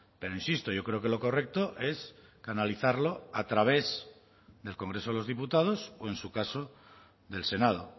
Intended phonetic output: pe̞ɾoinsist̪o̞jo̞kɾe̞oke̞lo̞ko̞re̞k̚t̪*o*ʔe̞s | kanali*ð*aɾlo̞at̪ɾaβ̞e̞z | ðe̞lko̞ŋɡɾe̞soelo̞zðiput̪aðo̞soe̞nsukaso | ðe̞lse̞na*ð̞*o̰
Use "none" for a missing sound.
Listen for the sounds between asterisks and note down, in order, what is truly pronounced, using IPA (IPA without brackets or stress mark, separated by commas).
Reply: o, θ, ð̞